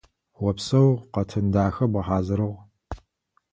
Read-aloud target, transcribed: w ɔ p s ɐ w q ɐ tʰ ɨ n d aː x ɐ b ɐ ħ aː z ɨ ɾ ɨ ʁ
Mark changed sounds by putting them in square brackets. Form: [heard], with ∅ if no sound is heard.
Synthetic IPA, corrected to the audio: w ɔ p s ɐ w q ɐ tʰ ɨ n d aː x ɐ b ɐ ħ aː z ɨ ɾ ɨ ʁ